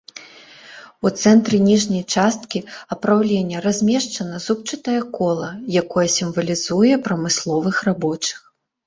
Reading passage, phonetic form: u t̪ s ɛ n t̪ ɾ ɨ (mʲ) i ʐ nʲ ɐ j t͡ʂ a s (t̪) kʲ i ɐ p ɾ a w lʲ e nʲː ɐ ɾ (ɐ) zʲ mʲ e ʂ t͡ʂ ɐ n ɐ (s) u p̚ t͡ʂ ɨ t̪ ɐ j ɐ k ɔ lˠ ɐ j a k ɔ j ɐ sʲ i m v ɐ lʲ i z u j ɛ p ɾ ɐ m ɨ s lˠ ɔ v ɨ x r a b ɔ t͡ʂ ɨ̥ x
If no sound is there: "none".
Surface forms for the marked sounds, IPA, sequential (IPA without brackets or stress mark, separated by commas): nʲ, t̪, a, z